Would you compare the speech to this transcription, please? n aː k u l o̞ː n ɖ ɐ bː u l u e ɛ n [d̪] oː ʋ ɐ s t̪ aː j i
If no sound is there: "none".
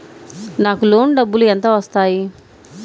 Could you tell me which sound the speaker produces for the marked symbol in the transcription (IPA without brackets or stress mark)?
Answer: t̪